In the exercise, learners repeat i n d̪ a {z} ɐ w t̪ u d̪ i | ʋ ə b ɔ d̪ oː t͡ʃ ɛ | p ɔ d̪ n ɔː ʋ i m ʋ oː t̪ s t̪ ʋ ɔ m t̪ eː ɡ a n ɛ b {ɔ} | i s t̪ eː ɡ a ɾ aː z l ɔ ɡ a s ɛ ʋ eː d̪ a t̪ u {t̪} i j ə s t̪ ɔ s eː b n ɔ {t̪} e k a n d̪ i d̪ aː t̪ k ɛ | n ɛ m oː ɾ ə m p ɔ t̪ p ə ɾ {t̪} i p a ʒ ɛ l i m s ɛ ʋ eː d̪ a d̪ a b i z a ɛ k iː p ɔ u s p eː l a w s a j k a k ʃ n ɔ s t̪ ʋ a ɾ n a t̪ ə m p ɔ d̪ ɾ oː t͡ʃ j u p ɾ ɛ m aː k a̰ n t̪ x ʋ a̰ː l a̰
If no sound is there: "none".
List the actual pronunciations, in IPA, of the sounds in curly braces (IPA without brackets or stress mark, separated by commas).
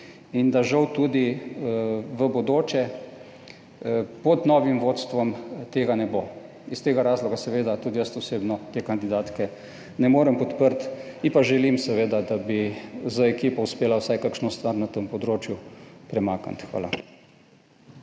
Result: ʒ, o, d̪, t̪, t̪